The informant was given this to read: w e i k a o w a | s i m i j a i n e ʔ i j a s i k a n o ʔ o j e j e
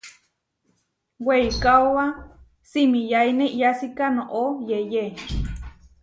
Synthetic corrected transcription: w e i k a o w a | s i m i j a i n e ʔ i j a s i k a n o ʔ o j e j e